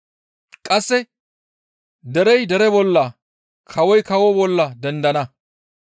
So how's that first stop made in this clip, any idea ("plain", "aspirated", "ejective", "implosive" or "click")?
ejective